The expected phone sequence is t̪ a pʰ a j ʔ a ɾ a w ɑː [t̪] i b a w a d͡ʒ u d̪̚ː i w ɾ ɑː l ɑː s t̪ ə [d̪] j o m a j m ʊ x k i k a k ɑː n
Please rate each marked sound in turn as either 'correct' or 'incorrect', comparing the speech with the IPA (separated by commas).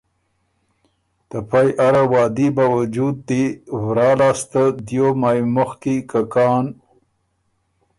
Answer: incorrect, correct